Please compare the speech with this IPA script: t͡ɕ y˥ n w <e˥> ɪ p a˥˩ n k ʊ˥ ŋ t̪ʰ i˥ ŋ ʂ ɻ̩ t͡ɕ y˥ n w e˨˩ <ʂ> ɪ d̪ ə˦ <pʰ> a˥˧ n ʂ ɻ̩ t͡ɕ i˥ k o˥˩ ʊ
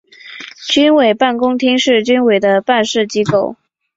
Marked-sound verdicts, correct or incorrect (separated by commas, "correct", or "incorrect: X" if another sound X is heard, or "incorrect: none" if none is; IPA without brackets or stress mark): incorrect: e˨˩, incorrect: none, incorrect: p